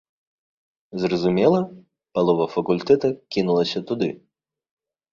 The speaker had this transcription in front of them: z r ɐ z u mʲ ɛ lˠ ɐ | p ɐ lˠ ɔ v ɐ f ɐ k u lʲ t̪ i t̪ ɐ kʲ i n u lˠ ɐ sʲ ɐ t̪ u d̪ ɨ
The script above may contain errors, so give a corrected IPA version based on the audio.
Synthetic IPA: z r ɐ z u mʲ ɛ lˠ ɐ | p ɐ lˠ ɔ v ɐ f ɐ k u lʲ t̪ ɛ t̪ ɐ kʲ i n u lˠ ɐ sʲ ɐ t̪ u d̪ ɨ